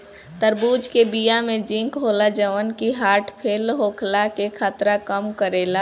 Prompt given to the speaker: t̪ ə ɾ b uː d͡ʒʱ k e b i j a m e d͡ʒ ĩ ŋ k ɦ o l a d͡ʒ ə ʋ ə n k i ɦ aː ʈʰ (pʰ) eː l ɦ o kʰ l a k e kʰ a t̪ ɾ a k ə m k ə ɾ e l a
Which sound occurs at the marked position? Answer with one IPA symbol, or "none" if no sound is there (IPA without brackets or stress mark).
pʰ